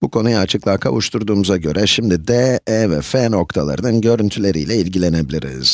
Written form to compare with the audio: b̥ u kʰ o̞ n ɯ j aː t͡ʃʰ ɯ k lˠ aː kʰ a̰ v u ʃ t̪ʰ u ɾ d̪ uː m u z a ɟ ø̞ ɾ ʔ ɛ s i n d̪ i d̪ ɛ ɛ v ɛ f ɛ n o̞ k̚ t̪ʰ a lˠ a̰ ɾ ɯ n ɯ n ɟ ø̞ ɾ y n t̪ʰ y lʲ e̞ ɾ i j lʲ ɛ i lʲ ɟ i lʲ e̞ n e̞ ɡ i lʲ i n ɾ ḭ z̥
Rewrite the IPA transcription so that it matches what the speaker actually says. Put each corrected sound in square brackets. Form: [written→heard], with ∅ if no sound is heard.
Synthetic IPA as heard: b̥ u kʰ o̞ n [ɯ→u] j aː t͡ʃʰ ɯ k lˠ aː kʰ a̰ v u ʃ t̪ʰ u ɾ d̪ uː m u z a ɟ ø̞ ɾ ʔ ɛ [s→ʃ] i [n→m] d̪ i d̪ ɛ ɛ v ɛ f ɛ n o̞ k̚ t̪ʰ a lˠ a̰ ɾ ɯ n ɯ n ɟ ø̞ ɾ y n t̪ʰ y lʲ e̞ ɾ i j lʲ ɛ i lʲ ɟ i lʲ e̞ n e̞ [ɡ→b] i lʲ i [n→∅] ɾ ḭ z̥